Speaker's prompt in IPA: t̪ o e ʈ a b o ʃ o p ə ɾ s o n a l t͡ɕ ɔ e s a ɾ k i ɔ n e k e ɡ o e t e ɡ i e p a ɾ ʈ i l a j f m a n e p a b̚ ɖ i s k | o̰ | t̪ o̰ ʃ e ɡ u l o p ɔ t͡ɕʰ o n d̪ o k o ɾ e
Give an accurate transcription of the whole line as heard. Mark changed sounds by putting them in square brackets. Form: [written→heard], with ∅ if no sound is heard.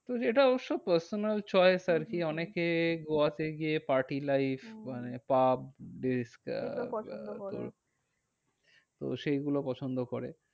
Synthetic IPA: t̪ o e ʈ a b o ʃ o p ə ɾ s o n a l t͡ɕ ɔ e s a ɾ k i ɔ n e k e ɡ o [e→a] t e ɡ i e p a ɾ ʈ i l a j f m a n e p a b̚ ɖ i s k | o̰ | t̪ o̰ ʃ e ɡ u l o p ɔ t͡ɕʰ o n d̪ o k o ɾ e

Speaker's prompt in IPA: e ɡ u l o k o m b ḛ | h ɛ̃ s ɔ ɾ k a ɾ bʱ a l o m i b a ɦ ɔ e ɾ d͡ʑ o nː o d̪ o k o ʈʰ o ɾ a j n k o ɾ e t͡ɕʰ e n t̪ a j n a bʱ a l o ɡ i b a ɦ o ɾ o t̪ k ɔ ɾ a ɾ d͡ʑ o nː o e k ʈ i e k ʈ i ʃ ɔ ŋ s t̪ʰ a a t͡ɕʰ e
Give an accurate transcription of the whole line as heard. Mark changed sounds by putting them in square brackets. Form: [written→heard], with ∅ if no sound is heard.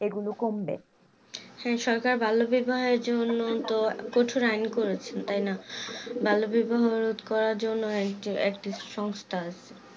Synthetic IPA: e ɡ u l o k o m b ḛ | h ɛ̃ [s→ʃ] ɔ ɾ k a ɾ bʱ a l o [m→b] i b a ɦ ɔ e ɾ d͡ʑ o nː o [d̪→t̪] o k o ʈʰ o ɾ a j n k o ɾ e t͡ɕʰ e n t̪ a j n a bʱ a l o [ɡ→b] i b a ɦ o ɾ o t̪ k ɔ ɾ a ɾ d͡ʑ o nː o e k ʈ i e k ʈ i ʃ ɔ ŋ s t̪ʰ a a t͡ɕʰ e

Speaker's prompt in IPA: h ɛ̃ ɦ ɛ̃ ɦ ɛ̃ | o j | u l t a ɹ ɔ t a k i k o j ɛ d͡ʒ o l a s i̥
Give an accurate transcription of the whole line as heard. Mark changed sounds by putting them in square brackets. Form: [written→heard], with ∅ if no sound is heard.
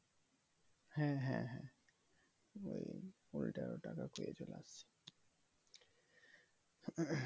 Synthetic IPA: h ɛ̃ ɦ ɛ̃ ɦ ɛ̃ | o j | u l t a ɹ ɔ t a k [i→a] k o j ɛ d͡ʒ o l a s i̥

